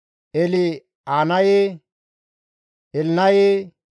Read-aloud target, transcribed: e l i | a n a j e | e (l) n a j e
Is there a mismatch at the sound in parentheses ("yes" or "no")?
no